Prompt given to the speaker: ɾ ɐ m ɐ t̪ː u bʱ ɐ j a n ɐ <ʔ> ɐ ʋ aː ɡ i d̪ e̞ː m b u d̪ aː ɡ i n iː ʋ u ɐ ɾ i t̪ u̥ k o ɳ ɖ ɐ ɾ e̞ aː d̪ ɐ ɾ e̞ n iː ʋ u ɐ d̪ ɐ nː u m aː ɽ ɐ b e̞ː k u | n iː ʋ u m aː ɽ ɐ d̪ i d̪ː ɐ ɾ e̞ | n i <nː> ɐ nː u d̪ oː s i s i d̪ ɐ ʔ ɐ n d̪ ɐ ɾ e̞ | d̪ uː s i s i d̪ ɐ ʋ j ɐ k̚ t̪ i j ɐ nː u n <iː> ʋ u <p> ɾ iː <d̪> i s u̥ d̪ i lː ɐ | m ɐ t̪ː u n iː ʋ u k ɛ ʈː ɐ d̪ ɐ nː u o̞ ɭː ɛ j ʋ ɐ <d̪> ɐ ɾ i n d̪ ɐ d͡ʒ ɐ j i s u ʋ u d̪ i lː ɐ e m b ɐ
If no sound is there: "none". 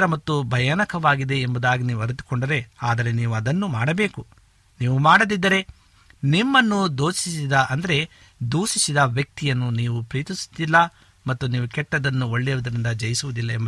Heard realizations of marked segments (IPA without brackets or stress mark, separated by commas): k, mː, iː, p, t̪, d̪